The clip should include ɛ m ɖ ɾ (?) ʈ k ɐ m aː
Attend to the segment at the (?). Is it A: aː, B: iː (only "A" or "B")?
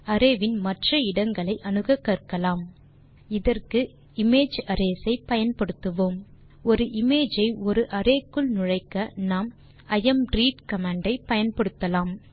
B